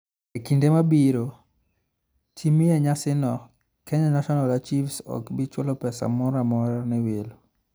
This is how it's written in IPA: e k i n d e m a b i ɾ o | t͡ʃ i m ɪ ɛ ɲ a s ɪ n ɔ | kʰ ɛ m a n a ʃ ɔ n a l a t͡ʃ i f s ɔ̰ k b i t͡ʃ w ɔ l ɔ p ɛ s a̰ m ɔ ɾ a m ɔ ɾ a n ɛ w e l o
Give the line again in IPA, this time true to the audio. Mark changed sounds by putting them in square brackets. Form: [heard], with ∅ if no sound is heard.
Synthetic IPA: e k i n d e m a b i ɾ o | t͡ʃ i m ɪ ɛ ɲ a s ɪ n ɔ | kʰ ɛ [ɲ] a n a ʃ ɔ n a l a t͡ʃ i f s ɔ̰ k b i t͡ʃ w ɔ l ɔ p ɛ s a̰ m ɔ ɾ a m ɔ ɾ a n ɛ w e l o